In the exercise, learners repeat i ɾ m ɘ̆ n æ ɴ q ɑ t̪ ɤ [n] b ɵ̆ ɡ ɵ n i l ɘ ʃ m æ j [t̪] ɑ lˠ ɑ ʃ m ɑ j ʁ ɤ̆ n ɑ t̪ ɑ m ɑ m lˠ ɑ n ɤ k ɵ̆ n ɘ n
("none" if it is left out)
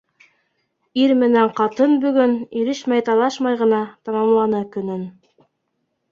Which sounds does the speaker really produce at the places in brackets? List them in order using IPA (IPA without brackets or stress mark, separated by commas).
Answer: n, t̪